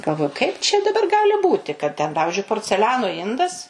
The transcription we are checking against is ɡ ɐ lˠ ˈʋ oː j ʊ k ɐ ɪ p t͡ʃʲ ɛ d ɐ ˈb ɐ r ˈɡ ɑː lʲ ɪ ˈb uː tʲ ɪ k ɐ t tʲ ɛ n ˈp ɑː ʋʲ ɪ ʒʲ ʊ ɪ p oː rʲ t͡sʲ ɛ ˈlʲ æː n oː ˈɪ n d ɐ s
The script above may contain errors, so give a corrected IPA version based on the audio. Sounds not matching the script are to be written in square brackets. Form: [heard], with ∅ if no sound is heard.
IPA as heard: ɡ ɐ lˠ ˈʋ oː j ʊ k ɐ ɪ p t͡ʃʲ ɛ d ɐ ˈb ɐ r ˈɡ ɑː lʲ ɪ ˈb uː tʲ ɪ k ɐ t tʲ ɛ n ˈp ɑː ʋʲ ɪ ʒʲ ʊ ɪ p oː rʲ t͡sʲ ɛ ˈlʲ æː n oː ˈɪ n d ɐ s